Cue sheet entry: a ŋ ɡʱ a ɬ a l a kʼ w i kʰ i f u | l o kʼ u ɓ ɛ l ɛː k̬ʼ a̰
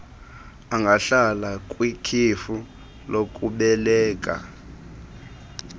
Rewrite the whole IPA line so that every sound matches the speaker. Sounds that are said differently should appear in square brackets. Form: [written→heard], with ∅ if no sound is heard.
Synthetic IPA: a ŋ ɡʱ a ɬ a l a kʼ w i kʰ i f u | l o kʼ u ɓ ɛ l ɛː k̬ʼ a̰

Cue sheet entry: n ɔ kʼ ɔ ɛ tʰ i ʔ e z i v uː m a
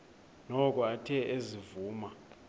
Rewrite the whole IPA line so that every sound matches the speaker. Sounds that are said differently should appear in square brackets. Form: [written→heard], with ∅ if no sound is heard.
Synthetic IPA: n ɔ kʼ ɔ [ɛ→a] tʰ [i→ɛ] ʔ e z i v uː m a

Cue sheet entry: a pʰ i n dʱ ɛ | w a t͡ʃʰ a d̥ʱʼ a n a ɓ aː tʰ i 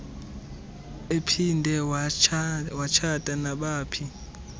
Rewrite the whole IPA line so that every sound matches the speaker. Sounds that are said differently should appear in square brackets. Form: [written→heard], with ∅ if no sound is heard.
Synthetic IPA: [a→e] pʰ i n dʱ ɛ | w a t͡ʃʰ a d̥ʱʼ a n a ɓ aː [tʰ→pʰ] i

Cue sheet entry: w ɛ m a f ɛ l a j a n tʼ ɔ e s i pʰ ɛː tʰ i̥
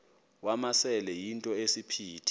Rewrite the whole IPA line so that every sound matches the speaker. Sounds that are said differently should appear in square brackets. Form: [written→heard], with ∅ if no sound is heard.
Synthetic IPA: w [ɛ→a] m a [f→s] ɛ l [a→ɛ] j [a→i] n tʼ ɔ e s i pʰ [ɛː→iː] tʰ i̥

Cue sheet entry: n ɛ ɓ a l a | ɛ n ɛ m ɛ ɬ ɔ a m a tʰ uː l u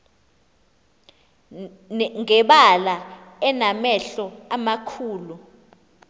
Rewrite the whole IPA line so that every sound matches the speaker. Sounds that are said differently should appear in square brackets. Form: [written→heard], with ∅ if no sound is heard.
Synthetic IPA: [n→ŋ] ɛ ɓ a l a | ɛ n [ɛ→a] m ɛ ɬ ɔ a m a [tʰ→kʰ] uː l u

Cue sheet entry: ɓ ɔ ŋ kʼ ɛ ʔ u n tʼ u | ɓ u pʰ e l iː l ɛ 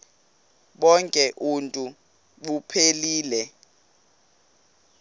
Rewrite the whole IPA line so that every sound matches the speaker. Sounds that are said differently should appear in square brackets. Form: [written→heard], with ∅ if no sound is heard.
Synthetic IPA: ɓ ɔ ŋ kʼ ɛ ʔ u n tʼ u | ɓ u pʰ e l iː l ɛ

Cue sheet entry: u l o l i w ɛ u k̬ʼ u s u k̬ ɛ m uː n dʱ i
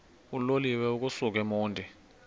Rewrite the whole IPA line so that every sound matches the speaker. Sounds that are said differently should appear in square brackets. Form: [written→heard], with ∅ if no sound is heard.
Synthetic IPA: u l o l i w ɛ u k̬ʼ u s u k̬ ɛ m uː n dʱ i

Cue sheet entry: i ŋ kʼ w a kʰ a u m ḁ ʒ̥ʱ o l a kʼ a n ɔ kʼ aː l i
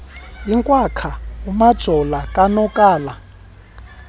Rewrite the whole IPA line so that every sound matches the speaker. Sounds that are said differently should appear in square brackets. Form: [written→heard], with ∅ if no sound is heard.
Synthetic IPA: i ŋ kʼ w a kʰ a u m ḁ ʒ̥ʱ [o→ɔ] l a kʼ a n ɔ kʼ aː l [i→a]

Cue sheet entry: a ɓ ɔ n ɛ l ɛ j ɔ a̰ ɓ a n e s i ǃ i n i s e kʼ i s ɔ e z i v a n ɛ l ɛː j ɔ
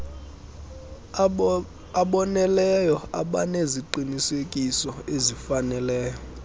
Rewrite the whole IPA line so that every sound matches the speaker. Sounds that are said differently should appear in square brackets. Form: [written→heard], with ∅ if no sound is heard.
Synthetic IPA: a ɓ ɔ n ɛ l ɛ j ɔ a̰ ɓ a n e [s→z] i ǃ i n i s e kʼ i s ɔ e z i [v→f] a n ɛ l ɛː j ɔ

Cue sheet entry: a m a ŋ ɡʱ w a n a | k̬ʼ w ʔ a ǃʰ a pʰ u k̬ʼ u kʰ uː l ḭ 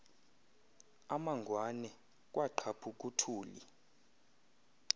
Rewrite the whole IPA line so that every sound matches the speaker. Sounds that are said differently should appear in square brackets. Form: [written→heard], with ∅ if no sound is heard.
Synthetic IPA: a m a ŋ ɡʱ w a n [a→ɛ] | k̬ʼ w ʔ a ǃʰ a pʰ u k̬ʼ u [kʰ→tʰ] uː l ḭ

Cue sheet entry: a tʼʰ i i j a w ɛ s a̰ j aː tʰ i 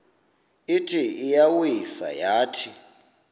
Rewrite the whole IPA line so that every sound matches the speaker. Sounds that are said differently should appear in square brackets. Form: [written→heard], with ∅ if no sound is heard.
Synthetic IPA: [a→i] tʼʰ i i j a w [ɛ→i] s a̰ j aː tʰ i

